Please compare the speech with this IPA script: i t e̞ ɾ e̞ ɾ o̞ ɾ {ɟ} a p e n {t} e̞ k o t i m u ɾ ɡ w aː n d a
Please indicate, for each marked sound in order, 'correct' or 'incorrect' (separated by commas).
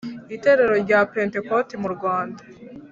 correct, correct